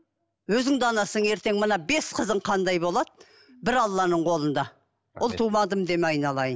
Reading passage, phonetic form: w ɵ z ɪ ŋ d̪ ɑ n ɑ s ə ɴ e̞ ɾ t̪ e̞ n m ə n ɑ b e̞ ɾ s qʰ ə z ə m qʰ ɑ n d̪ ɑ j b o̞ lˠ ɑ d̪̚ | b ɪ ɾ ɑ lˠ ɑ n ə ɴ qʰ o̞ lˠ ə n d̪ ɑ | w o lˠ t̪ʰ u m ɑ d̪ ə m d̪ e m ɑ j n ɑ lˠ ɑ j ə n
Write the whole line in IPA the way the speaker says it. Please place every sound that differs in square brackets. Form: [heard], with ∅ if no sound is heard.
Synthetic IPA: w ɵ z ɪ ŋ d̪ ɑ n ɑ s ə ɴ e̞ ɾ t̪ e̞ [ŋ] m ə n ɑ b e̞ [∅] s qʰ ə z ə [ɴ] qʰ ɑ n d̪ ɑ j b o̞ lˠ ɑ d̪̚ | b ɪ ɾ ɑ [lˠː] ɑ n ə ɴ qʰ o̞ lˠ ə n d̪ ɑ | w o lˠ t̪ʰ u m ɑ d̪ ə m d̪ e m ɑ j n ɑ lˠ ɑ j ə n